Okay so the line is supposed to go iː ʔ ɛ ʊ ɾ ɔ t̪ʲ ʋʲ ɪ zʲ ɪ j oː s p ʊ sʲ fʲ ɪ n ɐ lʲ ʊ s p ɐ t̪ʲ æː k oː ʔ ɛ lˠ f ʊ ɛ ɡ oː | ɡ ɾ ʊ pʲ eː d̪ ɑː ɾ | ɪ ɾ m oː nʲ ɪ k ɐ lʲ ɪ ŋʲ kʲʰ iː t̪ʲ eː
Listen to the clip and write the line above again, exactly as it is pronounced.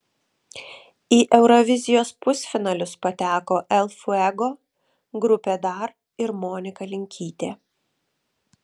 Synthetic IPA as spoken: iː ʔ ɛ ʊ ɾ ɔ ʋʲ ɪ zʲ ɪ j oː s p ʊ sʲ fʲ ɪ n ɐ lʲ ʊ s p ɐ t̪ʲ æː k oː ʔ ɛ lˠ f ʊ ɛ ɡ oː | ɡ ɾ ʊ pʲ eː d̪ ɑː ɾ | ɪ ɾ m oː nʲ ɪ k ɐ lʲ ɪ ŋʲ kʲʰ iː t̪ʲ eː